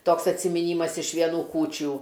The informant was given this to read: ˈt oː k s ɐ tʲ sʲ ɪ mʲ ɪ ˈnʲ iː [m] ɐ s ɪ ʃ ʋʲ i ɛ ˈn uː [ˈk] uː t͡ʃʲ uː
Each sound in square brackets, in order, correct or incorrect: correct, correct

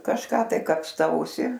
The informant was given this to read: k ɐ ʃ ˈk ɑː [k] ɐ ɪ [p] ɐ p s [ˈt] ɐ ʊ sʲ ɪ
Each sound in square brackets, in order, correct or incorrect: incorrect: t, incorrect: k, correct

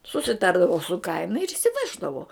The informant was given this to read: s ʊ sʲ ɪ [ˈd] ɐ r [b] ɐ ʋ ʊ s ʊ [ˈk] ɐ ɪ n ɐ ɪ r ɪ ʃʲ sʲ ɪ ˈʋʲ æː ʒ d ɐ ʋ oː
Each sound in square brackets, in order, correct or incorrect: incorrect: t, incorrect: d, correct

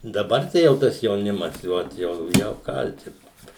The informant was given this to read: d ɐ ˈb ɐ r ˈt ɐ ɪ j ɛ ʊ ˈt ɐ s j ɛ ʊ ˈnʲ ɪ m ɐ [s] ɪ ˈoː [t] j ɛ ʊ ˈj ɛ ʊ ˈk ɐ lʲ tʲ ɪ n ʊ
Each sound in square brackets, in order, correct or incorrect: correct, correct

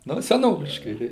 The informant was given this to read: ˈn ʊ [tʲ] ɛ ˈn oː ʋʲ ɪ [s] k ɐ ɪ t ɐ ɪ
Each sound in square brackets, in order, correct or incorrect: incorrect: sʲ, incorrect: ʃ

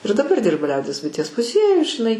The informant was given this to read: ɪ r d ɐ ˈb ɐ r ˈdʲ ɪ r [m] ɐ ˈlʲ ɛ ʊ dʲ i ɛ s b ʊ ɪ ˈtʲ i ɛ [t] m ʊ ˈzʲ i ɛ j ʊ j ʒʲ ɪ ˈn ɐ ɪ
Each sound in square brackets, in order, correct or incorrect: incorrect: b, incorrect: s

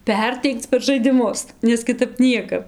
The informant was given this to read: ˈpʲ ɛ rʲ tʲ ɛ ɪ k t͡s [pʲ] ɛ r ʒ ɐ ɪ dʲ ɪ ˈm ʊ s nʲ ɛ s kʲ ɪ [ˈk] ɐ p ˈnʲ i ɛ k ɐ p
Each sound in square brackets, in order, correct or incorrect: correct, incorrect: t

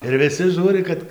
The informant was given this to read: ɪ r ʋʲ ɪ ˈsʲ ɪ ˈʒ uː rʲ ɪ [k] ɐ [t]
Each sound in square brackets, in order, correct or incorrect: correct, correct

